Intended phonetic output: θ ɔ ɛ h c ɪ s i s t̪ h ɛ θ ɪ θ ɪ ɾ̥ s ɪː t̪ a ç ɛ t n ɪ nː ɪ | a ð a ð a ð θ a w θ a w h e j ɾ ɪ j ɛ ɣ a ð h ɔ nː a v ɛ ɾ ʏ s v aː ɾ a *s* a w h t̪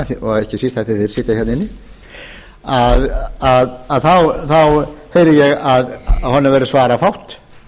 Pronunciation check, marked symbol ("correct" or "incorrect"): incorrect